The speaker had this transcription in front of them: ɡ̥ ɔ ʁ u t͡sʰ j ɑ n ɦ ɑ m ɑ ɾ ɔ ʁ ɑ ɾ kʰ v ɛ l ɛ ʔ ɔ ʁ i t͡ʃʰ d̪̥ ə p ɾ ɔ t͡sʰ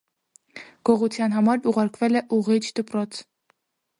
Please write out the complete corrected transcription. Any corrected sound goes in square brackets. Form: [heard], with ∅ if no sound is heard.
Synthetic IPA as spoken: ɡ̥ ɔ ʁ u t͡sʰ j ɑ n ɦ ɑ m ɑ ɾ [u] ʁ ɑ ɾ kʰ v ɛ l ɛ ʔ [u] ʁ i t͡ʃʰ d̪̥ ə p ɾ ɔ t͡sʰ